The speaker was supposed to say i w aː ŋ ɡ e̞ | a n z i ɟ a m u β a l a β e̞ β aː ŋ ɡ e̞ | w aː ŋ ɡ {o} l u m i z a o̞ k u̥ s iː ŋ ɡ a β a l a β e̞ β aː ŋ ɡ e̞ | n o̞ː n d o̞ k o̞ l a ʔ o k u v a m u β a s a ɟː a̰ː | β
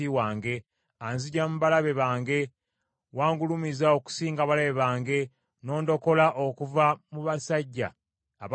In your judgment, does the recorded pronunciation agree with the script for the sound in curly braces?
no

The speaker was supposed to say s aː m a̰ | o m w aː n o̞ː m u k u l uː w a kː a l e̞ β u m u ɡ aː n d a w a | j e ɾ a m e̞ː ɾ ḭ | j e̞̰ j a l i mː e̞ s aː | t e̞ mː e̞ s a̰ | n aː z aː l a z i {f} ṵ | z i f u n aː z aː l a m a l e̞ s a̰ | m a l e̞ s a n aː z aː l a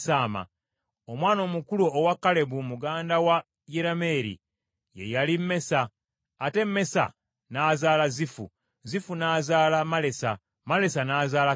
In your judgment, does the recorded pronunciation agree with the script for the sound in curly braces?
yes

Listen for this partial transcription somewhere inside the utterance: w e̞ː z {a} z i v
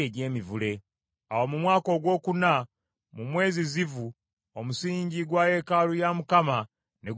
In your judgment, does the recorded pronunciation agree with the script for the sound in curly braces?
no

